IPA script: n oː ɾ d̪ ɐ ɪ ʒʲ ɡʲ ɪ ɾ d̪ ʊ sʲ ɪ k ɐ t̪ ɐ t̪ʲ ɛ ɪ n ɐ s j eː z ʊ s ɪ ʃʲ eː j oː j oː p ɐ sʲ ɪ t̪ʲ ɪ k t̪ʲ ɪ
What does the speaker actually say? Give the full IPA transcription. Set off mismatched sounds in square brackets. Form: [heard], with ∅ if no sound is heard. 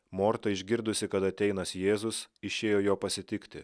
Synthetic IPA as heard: [m] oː ɾ [t̪] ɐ ɪ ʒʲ ɡʲ ɪ ɾ d̪ ʊ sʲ ɪ k ɐ t̪ ɐ t̪ʲ ɛ ɪ n ɐ s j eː z ʊ s ɪ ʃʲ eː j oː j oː p ɐ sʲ ɪ t̪ʲ ɪ k t̪ʲ ɪ